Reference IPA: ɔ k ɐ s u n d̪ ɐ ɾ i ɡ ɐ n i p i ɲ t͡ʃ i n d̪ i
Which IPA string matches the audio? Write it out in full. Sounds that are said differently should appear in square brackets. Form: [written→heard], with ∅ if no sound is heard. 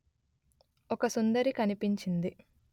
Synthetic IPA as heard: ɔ k ɐ s u n d̪ ɐ ɾ i [ɡ→k] ɐ n i p i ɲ t͡ʃ i n d̪ i